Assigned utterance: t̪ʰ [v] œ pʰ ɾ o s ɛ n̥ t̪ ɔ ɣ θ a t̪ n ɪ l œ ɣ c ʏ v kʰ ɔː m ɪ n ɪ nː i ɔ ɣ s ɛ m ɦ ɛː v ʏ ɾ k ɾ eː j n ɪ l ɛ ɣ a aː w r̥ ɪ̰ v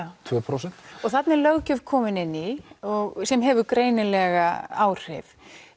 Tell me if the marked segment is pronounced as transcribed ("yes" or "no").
yes